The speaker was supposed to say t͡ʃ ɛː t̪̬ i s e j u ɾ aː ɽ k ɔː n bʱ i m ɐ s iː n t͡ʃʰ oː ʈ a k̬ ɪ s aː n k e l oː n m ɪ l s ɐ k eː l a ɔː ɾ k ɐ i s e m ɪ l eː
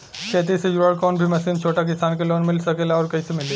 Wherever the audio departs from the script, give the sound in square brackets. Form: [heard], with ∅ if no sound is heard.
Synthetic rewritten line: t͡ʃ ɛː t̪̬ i s e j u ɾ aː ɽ k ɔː n bʱ i m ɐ s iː n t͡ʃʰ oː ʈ a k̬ ɪ s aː n k e l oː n m ɪ l s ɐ k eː l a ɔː ɾ k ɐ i s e m ɪ l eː